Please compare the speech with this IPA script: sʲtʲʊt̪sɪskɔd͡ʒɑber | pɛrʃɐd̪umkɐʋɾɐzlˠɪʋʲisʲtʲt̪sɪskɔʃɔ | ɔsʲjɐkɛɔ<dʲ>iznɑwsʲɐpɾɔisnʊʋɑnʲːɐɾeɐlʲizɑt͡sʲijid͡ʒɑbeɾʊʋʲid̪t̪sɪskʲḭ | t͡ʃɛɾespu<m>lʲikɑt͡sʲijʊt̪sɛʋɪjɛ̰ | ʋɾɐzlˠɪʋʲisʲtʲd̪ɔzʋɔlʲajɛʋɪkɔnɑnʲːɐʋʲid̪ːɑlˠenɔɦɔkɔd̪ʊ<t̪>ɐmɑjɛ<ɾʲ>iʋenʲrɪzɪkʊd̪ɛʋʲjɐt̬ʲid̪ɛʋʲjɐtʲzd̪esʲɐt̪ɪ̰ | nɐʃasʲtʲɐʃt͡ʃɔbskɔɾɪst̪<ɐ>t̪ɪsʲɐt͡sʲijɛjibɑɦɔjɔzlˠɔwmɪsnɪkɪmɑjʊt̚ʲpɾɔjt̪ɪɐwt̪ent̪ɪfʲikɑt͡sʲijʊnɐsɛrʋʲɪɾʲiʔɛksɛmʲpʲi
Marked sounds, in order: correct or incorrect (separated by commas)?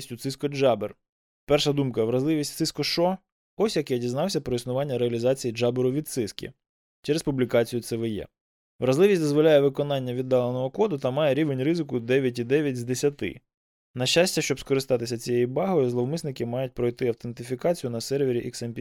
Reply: correct, incorrect, correct, correct, incorrect